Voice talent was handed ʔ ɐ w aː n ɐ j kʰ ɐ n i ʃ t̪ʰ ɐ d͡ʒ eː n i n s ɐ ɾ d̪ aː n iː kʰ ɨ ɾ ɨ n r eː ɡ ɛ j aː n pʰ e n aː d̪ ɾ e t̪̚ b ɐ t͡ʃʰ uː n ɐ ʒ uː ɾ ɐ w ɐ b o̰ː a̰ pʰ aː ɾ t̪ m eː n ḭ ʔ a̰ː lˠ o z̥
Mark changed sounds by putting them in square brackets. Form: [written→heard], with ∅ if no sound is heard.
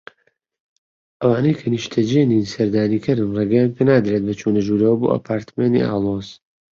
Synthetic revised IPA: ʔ ɐ w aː n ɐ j kʰ ɐ n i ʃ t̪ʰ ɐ d͡ʒ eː n i n s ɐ ɾ d̪ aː n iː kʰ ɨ ɾ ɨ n r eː ɡ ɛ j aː n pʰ e n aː d̪ ɾ e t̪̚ b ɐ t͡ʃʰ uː n ɐ ʒ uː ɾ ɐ w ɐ b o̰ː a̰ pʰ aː ɾ t̪ m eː n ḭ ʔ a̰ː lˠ o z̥